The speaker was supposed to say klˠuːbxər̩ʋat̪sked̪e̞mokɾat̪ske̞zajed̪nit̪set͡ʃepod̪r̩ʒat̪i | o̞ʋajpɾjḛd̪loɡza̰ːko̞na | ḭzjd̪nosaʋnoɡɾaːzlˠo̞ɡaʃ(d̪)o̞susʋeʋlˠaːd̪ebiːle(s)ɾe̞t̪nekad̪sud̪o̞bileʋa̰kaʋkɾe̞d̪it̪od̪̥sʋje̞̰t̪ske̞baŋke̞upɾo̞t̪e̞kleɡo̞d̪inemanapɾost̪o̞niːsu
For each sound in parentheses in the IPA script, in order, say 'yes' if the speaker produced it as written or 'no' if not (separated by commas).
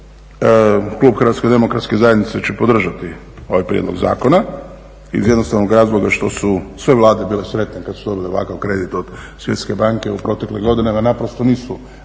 no, yes